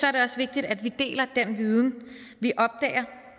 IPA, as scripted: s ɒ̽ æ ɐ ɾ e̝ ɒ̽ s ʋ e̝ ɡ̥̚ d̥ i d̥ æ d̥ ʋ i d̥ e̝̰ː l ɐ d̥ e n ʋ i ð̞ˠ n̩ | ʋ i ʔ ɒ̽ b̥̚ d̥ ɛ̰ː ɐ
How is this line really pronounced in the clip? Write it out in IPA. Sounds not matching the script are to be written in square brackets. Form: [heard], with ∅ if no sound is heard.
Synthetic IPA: s ɒ̽ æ ɐ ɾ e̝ ɒ̽ s ʋ e̝ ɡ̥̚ d̥ i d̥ æ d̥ ʋ i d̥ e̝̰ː l ɐ d̥ e n ʋ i ð̞ˠ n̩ | ʋ i ʔ ɒ̽ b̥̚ d̥ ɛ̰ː ɐ